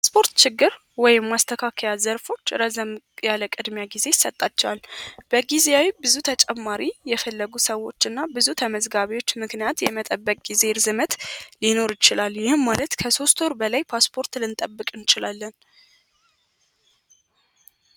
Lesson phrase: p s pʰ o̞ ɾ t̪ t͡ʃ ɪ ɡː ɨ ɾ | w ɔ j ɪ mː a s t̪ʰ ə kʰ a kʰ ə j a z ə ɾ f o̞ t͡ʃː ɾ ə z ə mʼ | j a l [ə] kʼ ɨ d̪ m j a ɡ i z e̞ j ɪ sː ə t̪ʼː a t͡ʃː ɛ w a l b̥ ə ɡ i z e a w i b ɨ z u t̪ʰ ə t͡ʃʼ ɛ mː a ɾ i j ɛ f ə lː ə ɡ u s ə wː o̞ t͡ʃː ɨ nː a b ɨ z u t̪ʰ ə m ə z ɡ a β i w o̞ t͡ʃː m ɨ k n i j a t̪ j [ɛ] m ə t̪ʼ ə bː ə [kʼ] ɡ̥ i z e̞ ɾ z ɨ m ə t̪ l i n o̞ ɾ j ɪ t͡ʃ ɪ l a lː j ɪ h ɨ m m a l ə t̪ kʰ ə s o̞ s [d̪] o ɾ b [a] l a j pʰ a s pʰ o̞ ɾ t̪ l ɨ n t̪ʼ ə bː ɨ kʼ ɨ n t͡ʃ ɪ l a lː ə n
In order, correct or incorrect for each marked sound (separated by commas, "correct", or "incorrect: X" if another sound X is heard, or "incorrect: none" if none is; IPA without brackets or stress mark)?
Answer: correct, correct, correct, incorrect: t̪, incorrect: ə